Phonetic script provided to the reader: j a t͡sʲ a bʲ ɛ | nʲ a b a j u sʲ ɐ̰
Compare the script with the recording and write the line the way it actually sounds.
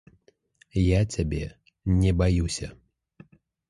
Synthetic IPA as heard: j a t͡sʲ a bʲ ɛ | nʲ ɛ b a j u sʲ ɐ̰

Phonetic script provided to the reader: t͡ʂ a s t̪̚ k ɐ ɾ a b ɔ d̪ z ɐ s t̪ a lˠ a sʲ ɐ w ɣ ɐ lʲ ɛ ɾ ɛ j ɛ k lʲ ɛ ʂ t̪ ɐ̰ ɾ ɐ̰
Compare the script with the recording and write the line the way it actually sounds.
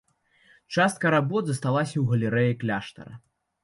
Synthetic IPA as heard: t͡ʂ a s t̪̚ k ɐ ɾ a b ɔ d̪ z ɐ s t̪ a lˠ a sʲ ɐ w ɣ ɐ lʲ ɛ ɾ ɛ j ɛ k lʲ a ʂ t̪ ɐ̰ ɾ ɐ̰

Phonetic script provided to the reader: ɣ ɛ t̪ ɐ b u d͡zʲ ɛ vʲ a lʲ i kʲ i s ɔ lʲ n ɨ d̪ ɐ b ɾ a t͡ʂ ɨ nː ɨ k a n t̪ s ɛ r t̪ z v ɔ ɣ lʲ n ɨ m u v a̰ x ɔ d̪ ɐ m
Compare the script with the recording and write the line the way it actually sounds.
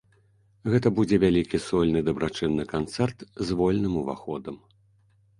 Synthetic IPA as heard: ɣ ɛ t̪ ɐ b u d͡zʲ ɛ vʲ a lʲ i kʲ i s ɔ lʲ n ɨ d̪ ɐ b ɾ a t͡ʂ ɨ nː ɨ k a n t̪ s ɛ r t̪ z v ɔ lʲ n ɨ m u v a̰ x ɔ d̪ ɐ m

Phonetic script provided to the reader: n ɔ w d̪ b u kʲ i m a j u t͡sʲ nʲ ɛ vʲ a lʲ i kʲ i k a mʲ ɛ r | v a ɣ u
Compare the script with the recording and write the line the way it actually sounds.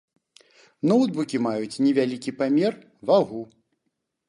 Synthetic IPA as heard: n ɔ w d̪ b u kʲ i m a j u t͡sʲ nʲ ɛ vʲ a lʲ i kʲ i p a mʲ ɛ r | v a ɣ u

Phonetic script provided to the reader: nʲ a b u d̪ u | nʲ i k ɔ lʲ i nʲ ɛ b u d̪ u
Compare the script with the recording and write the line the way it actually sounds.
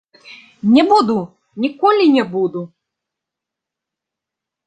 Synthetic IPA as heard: nʲ ɛ b u d̪ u | nʲ i k ɔ lʲ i nʲ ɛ b u d̪ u

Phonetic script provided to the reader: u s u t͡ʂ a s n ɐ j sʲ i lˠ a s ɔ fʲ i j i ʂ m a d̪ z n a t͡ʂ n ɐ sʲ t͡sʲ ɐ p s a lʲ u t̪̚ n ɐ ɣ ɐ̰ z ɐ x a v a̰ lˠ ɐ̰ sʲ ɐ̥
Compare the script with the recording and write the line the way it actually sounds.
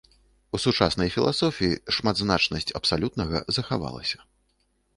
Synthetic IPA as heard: u s u t͡ʂ a s n ɐ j fʲ i lˠ a s ɔ fʲ i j i ʂ m a d̪ z n a t͡ʂ n ɐ sʲ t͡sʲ ɐ p s a lʲ u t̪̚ n ɐ ɣ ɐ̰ z ɐ x a v a̰ lˠ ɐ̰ sʲ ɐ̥

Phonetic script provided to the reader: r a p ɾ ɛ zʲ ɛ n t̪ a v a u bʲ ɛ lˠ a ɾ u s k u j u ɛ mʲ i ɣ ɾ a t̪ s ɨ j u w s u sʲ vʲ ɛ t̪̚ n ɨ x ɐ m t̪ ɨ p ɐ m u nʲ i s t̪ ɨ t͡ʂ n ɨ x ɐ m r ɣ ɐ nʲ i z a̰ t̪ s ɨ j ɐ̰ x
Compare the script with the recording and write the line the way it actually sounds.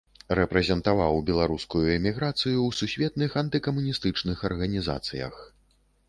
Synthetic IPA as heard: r ɛ p ɾ ɛ zʲ ɛ n t̪ a v a w bʲ ɛ lˠ a ɾ u s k u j u ɛ mʲ i ɣ ɾ a t̪ s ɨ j u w s u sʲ vʲ ɛ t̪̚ n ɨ x ɐ n t̪ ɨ k ɐ m u nʲ i s t̪ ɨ t͡ʂ n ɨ x ɐ r ɣ ɐ nʲ i z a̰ t̪ s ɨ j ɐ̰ x

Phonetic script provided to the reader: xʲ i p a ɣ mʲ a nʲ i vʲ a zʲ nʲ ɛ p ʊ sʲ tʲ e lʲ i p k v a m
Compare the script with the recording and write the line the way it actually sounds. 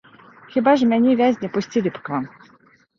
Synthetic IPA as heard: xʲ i b a ʐ mʲ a nʲ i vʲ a zʲ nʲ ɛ p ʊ sʲ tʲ i lʲ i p k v a m

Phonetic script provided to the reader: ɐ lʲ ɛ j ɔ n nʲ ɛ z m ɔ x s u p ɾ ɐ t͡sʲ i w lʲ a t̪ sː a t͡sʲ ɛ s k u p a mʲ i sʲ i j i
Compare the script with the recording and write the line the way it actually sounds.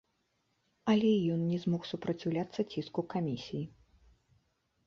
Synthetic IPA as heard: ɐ lʲ ɛ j ɔ n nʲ ɛ z m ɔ x s u p ɾ ɐ t͡sʲ i w lʲ a t̪ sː ɐ t͡sʲ i s k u k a mʲ i sʲ i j i

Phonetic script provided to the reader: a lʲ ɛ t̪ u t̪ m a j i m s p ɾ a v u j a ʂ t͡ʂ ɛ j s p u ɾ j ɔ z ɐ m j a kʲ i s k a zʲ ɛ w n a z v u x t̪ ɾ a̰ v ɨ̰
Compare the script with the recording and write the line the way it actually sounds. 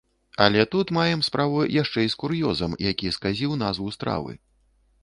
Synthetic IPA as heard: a lʲ ɛ t̪ u t̪ m a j ɛ m s p ɾ a v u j a ʂ t͡ʂ ɛ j s k u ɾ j ɔ z ɐ m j a kʲ i s k a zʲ i w n a z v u s t̪ ɾ a̰ v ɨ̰

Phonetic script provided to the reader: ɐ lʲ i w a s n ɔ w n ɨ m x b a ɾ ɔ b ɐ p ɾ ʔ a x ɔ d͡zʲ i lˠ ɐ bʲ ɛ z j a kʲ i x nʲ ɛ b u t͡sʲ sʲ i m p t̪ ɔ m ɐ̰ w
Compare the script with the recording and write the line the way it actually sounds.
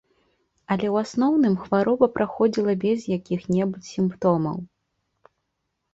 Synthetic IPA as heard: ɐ lʲ ɛ w a s n ɔ w n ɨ m x v a ɾ ɔ b ɐ p ɾ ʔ a x ɔ d͡zʲ i lˠ ɐ bʲ ɛ z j a kʲ i x nʲ ɛ b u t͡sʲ sʲ i m p t̪ ɔ m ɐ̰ w

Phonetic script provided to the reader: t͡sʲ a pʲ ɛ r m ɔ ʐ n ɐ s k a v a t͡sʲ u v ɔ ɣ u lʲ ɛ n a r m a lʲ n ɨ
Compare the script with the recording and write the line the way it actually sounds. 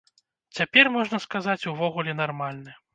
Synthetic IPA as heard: t͡sʲ a pʲ ɛ r m ɔ ʐ n ɐ s k a z a t͡sʲ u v ɔ ɣ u lʲ ɛ n a r m a lʲ n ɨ

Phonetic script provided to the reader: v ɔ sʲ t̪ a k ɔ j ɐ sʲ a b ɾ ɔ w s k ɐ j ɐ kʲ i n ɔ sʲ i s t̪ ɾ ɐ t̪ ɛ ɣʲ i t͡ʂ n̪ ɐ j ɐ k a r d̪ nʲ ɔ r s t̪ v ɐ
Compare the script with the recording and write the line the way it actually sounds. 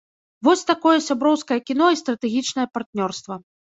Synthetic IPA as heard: v ɔ sʲ t̪ a k ɔ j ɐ sʲ a b ɾ ɔ w s k ɐ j ɐ kʲ i n ɔ i s t̪ ɾ ɐ t̪ ɛ ɣʲ i t͡ʂ n̪ ɐ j ɐ p a r t̪ nʲ ɔ r s t̪ v ɐ

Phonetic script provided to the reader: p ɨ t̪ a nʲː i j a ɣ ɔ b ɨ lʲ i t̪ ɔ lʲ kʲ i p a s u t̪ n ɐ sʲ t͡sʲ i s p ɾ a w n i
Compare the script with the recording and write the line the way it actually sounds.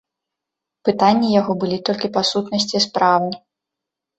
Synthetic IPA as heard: p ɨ t̪ a nʲː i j a ɣ ɔ b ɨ lʲ i t̪ ɔ lʲ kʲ i p a s u t̪ n ɐ sʲ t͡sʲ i s p ɾ a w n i

